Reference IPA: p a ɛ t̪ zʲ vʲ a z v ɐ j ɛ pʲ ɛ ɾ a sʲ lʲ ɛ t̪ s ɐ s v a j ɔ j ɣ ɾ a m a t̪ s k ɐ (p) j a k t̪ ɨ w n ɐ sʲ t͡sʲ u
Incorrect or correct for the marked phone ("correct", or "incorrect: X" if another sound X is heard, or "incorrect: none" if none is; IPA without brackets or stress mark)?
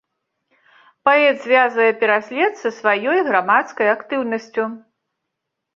incorrect: none